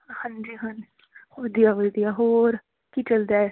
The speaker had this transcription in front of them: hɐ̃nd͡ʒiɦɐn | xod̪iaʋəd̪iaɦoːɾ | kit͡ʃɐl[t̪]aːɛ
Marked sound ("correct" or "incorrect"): incorrect